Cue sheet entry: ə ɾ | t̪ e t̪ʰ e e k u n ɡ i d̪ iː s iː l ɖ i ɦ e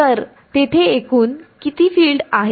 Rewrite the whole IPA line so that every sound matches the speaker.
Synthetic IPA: ə ɾ | t̪ e t̪ʰ e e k uː n k i t̪ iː f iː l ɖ a ɦ e

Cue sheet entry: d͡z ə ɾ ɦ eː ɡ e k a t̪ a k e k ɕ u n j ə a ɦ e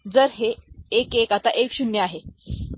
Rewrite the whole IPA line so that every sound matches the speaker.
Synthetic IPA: d͡z ə ɾ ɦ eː k e k a t̪ a ʔ e k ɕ u n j ə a ɦ e

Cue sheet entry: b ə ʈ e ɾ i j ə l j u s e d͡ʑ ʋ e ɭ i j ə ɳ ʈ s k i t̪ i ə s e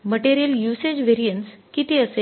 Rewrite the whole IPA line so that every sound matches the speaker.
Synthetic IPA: m ə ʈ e ɾ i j ə l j u s e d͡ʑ ʋ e ɾ i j ə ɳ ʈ s k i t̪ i ə s e

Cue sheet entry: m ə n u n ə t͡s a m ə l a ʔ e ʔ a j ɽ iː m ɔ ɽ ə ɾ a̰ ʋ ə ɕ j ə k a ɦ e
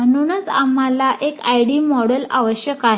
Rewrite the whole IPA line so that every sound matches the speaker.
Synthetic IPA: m ə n u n ə t͡s a m a l a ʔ e k a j ɽ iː m ɔ ɽ ə l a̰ ʋ ə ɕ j ə k a ɦ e

